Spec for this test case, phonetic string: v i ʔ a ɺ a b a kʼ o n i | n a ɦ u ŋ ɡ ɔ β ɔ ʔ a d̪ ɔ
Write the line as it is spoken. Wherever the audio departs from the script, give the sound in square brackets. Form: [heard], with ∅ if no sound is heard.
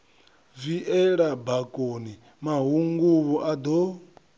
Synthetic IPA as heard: v i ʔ [ɛ] ɺ a b a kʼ o n i | [m] a ɦ u ŋ ɡ [u] β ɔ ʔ a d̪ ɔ